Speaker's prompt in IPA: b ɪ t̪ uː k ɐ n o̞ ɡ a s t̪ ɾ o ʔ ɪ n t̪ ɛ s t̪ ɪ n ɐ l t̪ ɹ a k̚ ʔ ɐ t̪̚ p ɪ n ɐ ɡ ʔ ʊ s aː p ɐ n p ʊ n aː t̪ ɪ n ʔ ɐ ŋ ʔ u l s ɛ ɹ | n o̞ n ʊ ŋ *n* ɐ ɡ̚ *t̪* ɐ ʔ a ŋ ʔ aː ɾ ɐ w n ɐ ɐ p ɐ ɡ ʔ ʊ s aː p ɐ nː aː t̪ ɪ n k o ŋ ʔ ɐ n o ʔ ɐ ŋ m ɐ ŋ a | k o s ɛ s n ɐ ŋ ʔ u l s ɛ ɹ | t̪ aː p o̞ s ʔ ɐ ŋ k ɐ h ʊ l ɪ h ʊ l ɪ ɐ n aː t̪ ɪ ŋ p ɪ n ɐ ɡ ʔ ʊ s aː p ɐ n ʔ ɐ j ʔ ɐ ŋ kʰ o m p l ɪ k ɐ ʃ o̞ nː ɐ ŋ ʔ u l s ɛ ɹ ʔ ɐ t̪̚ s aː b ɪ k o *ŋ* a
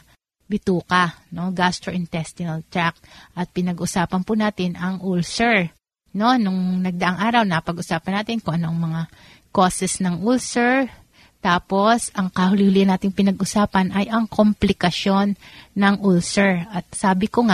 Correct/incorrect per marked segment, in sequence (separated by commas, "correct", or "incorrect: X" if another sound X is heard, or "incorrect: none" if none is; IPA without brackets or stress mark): correct, incorrect: d̪, correct